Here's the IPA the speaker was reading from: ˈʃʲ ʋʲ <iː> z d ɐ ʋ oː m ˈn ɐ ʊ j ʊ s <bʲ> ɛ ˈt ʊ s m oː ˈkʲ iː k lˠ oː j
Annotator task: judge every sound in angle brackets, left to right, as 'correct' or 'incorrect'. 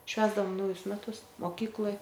incorrect: æː, incorrect: mʲ

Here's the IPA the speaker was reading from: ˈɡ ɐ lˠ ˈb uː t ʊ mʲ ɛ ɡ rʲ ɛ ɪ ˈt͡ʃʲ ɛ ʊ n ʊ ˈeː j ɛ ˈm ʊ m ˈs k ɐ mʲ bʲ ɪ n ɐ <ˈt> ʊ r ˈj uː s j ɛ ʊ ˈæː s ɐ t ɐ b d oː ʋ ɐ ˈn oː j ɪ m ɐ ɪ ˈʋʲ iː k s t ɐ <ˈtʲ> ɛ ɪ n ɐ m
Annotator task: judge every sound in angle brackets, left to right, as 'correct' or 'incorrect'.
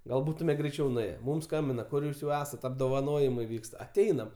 incorrect: k, correct

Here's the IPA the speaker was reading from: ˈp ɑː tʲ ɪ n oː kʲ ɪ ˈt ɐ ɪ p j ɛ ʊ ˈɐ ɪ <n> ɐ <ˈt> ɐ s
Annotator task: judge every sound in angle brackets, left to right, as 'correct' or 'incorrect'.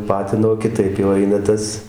correct, correct

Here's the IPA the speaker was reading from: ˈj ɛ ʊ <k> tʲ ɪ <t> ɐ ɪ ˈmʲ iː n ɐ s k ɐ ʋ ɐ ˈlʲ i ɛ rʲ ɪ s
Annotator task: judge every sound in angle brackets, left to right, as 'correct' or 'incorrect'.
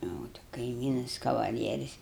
incorrect: none, incorrect: k

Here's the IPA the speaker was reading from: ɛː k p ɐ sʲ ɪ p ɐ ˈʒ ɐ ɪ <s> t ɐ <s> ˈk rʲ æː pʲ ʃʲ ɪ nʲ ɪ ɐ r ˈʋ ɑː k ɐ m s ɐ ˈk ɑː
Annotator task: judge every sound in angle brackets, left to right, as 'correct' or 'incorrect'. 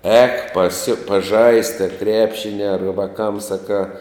correct, incorrect: none

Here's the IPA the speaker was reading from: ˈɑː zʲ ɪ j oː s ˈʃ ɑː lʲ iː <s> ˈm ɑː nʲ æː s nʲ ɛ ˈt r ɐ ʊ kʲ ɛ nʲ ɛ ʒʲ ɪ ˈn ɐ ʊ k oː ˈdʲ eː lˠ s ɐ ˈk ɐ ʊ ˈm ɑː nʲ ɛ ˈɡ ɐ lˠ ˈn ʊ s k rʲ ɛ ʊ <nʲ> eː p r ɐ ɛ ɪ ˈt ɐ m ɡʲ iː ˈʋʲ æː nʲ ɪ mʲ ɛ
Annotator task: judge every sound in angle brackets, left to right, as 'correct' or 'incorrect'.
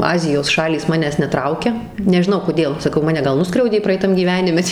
correct, incorrect: dʲ

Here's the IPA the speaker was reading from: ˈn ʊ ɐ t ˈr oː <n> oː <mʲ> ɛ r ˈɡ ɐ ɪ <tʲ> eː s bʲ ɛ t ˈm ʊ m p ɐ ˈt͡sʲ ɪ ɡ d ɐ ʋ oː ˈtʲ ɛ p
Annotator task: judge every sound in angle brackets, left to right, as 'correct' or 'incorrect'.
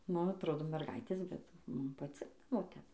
incorrect: d, correct, correct

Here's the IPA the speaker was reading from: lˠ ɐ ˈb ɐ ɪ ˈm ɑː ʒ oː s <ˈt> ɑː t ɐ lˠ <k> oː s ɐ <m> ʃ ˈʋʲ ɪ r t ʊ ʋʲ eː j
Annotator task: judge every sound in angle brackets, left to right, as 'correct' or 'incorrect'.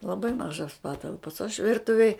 incorrect: p, incorrect: p, incorrect: none

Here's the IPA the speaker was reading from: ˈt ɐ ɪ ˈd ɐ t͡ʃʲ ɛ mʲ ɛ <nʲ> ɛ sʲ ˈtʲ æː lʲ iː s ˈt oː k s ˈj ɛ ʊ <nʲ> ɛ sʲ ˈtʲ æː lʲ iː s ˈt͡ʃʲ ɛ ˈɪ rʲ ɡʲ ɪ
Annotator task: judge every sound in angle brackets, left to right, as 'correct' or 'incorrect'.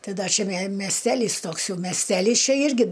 incorrect: mʲ, incorrect: mʲ

